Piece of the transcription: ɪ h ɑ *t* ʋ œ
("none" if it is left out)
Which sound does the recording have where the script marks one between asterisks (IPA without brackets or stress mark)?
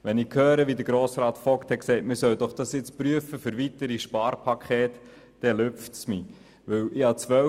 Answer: t͡s